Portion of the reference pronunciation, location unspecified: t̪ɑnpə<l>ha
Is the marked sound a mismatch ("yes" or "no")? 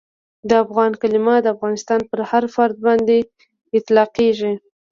yes